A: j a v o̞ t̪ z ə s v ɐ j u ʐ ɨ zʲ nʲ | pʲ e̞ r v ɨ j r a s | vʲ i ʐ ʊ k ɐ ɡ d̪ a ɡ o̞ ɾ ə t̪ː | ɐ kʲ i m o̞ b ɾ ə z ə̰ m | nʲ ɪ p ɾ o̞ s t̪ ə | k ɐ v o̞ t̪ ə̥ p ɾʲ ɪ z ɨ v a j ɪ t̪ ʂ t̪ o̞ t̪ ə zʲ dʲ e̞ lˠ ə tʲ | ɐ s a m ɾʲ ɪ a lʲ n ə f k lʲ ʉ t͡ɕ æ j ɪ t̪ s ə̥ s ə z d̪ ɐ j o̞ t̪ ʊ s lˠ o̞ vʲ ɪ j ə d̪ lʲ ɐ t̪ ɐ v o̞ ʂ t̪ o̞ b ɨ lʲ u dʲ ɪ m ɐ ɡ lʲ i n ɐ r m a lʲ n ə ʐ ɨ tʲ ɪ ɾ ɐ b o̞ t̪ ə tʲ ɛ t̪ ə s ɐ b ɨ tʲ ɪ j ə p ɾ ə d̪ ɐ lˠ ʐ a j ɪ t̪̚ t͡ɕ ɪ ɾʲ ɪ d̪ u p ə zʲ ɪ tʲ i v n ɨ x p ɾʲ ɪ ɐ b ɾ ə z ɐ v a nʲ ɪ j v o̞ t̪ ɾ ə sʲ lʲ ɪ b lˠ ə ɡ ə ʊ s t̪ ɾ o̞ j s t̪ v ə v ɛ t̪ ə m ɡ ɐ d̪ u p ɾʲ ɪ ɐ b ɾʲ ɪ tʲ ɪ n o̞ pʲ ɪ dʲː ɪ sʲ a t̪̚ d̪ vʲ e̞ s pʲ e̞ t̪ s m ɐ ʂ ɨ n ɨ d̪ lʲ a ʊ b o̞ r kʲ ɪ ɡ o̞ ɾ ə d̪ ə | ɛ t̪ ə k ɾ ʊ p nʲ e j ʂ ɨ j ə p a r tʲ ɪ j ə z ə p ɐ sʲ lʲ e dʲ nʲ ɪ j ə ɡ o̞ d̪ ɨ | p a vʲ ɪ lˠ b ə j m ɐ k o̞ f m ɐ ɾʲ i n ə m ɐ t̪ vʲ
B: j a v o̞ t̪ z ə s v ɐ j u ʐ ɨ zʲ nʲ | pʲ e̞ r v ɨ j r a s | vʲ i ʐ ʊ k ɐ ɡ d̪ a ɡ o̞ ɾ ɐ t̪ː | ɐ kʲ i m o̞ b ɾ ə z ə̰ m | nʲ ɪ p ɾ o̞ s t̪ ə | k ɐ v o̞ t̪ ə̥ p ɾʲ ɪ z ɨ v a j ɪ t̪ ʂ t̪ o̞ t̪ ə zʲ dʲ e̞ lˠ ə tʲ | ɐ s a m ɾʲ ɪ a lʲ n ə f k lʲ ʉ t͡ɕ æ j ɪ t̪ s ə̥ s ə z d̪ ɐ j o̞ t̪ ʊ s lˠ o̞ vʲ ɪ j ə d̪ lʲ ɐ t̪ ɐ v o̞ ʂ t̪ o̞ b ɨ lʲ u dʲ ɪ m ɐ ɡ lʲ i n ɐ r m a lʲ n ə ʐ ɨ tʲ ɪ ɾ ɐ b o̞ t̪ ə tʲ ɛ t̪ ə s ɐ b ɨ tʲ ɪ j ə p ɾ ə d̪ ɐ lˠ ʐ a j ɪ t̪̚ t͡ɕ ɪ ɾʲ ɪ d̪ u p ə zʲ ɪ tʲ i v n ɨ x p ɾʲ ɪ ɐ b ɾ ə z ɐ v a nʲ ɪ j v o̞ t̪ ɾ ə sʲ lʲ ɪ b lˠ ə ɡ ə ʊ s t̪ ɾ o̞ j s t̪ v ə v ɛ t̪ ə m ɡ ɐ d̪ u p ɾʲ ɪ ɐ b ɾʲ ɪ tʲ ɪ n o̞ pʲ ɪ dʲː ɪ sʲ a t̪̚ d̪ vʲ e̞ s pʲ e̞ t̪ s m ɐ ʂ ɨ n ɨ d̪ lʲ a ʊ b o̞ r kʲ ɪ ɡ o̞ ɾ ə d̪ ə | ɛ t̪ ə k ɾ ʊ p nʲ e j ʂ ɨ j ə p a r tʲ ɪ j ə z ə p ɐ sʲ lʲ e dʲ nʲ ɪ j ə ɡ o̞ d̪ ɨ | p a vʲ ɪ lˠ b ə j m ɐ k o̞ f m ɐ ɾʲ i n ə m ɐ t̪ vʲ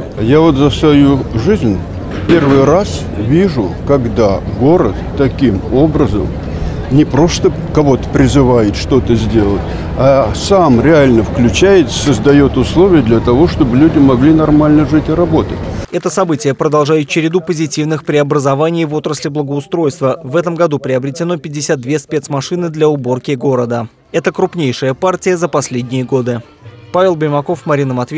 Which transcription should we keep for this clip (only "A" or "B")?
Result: A